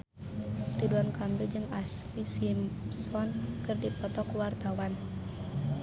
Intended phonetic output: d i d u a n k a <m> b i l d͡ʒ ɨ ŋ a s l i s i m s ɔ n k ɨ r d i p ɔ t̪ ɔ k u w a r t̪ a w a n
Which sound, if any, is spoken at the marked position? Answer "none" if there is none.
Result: m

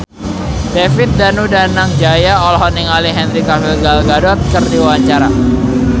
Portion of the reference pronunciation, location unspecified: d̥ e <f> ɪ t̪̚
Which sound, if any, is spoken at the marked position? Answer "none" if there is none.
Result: f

